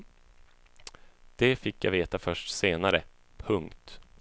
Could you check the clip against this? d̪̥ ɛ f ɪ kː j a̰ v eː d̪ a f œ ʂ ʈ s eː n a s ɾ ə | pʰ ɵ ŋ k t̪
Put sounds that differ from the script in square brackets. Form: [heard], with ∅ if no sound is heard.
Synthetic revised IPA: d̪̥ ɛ f ɪ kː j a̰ v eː [t̪] a f œ ʂ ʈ s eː n a [∅] ɾ ə | pʰ ɵ ŋ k t̪